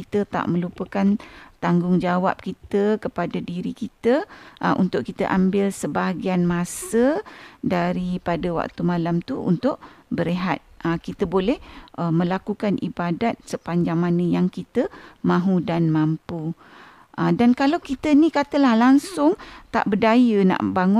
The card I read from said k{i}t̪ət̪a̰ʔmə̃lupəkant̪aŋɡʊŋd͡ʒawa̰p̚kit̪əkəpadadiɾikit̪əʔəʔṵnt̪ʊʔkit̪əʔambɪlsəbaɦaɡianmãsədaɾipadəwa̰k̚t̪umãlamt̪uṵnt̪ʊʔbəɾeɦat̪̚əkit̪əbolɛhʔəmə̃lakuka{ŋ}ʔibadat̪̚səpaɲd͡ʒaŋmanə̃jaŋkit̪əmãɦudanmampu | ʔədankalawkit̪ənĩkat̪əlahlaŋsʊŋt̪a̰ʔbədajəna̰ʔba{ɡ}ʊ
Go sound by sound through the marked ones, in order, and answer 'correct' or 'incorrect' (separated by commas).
correct, incorrect, incorrect